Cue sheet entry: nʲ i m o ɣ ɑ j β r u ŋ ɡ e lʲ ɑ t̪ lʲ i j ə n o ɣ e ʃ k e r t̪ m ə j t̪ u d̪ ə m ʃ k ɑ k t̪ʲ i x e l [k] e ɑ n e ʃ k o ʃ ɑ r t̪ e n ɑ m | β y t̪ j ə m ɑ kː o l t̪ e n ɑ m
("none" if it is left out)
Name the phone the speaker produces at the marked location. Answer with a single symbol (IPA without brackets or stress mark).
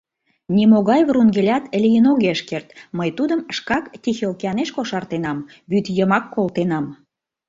k